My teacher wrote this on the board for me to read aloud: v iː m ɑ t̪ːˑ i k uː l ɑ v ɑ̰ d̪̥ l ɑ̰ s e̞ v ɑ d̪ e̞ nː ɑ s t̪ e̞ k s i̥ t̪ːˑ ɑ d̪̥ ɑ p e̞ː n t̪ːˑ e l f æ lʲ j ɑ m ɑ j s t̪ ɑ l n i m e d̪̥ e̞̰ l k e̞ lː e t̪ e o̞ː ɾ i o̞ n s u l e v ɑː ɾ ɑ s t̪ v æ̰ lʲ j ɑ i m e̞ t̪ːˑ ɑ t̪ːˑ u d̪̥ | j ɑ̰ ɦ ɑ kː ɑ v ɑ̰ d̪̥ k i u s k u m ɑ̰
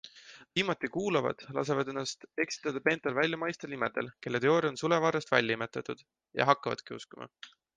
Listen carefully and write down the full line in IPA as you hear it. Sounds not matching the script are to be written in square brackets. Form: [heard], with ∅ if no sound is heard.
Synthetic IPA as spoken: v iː m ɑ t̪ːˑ i k uː l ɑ v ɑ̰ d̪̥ l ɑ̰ s e̞ v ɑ d̪ e̞ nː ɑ s t̪ e̞ k s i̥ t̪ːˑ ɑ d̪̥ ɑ p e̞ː n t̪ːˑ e l [v] æ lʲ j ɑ m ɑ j s t̪ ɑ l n i m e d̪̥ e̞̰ l k e̞ lː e t̪ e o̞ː ɾ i o̞ n s u l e v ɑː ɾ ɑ s t̪ v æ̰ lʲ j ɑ i m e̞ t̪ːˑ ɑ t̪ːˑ u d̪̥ | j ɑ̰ ɦ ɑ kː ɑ v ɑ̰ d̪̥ k i u s k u m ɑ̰